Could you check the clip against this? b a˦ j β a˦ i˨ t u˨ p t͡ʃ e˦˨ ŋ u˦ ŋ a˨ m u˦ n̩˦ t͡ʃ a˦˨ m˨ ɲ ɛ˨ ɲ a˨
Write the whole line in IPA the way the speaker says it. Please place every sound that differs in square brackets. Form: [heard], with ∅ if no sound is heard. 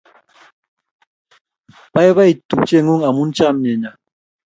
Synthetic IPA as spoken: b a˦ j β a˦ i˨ t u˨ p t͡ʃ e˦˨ ŋ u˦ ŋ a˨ m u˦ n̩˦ t͡ʃ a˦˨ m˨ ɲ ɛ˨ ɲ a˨

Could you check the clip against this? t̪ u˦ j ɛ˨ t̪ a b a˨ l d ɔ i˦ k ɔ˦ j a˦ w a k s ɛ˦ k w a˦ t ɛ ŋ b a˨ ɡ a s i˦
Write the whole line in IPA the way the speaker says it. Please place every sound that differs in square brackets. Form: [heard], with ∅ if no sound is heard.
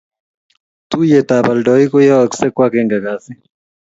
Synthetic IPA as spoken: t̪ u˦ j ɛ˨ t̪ a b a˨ l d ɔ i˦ k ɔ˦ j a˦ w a k s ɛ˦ k w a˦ [k] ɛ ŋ [ɡ] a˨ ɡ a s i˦

